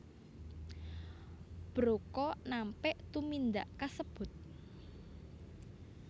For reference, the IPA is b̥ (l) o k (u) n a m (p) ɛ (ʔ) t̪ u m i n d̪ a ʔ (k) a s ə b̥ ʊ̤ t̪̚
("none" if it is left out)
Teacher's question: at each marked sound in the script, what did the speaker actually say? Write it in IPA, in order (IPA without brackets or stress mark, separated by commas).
ɾ, ɔ, p, ʔ, k